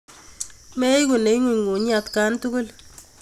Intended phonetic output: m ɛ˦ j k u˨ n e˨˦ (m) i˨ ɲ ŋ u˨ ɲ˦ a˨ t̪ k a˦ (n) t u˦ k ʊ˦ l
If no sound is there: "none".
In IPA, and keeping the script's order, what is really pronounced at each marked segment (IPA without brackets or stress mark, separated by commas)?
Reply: ŋ, n